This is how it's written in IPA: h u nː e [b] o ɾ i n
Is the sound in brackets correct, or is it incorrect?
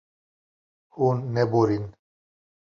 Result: correct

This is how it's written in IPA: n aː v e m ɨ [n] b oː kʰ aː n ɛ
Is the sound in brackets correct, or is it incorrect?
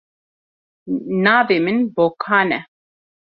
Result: correct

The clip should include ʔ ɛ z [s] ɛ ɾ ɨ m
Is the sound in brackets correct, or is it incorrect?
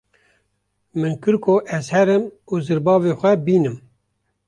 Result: incorrect: h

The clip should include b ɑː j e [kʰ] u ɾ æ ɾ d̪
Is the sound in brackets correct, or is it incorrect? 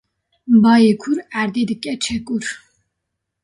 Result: correct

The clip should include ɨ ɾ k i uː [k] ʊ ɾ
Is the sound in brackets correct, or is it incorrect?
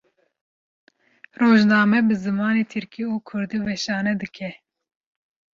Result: incorrect: kʰ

